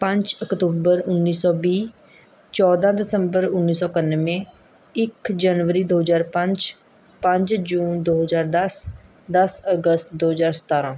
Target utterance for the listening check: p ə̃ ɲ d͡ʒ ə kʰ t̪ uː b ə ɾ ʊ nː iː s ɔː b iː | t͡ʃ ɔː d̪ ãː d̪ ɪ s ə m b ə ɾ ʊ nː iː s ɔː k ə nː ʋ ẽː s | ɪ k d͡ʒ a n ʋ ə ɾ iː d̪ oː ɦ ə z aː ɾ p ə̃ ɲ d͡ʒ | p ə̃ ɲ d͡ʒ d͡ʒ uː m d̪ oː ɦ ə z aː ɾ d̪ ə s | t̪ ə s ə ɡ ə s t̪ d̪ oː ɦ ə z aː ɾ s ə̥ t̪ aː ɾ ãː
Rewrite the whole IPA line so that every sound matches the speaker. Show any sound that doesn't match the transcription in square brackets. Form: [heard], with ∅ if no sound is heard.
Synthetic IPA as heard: p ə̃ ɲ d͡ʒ ə [k] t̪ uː b ə ɾ ʊ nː iː s ɔː b iː | t͡ʃ ɔː d̪ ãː d̪ ɪ s ə m b ə ɾ ʊ nː iː s ɔː k ə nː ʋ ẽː [∅] | ɪ k d͡ʒ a n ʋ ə ɾ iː d̪ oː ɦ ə z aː ɾ p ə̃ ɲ d͡ʒ | p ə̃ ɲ d͡ʒ d͡ʒ uː [n] d̪ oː ɦ ə z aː ɾ d̪ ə s | [d̪] ə s ə ɡ ə s t̪ d̪ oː ɦ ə z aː ɾ s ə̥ t̪ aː ɾ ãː